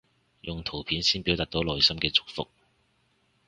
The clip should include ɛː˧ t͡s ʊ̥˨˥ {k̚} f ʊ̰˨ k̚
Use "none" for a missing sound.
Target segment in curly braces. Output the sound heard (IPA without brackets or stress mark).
k̚